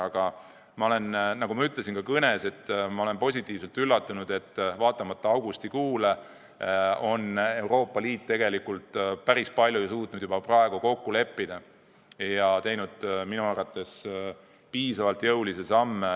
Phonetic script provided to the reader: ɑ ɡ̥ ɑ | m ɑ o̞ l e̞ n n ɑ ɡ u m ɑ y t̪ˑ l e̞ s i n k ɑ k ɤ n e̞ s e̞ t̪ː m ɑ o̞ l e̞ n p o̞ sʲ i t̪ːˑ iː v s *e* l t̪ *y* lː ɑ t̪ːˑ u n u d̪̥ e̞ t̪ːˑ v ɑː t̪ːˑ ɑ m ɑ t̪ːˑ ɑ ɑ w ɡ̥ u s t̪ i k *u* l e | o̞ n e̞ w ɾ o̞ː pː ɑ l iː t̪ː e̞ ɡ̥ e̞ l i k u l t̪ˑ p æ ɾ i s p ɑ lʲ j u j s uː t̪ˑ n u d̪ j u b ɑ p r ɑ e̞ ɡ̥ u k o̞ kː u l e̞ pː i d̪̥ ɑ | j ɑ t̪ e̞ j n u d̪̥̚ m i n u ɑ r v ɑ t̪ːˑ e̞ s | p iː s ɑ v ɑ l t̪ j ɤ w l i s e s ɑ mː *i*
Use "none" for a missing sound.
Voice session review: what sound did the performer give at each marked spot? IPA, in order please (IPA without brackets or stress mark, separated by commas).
e, y, uː, e